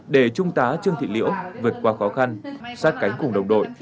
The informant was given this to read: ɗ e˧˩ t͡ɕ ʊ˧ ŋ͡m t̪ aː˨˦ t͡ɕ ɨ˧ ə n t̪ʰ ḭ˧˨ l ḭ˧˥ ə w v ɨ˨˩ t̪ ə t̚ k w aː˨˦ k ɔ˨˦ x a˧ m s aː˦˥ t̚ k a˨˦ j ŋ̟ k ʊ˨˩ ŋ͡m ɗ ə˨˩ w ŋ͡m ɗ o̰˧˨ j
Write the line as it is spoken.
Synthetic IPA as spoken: ɗ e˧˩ t͡ɕ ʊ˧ ŋ͡m t̪ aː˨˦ t͡ɕ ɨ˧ ə ŋ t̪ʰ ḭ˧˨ l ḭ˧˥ ə w v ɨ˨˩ ə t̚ k w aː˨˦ x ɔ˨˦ x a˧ n s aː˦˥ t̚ k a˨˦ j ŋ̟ k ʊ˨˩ ŋ͡m ɗ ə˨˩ w ŋ͡m ɗ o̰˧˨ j